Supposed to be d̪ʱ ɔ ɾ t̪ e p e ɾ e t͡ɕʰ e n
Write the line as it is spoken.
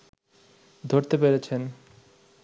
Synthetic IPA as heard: d̪ʱ o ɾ t̪ e p e ɾ e t͡ɕʰ e n